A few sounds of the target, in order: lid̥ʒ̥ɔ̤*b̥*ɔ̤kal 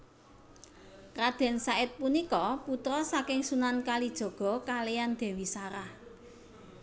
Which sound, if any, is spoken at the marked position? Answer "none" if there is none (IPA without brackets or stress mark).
ɡ̥